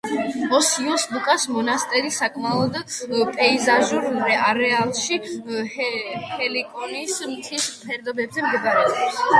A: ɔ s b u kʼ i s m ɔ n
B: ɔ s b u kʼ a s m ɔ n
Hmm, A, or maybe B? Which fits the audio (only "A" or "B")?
B